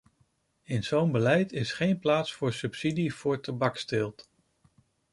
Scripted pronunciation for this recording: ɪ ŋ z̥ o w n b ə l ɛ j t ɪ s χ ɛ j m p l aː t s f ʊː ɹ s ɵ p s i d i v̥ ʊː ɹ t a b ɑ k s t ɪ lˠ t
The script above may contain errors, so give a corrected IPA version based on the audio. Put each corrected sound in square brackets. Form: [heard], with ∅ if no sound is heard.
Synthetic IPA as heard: ɪ [n] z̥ o w n b ə l ɛ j t ɪ s χ [e] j [n] p l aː t s f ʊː ɹ s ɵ p s i d i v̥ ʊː ɹ t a b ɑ k s t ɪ lˠ t